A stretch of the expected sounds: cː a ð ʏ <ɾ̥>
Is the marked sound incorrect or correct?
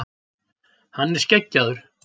correct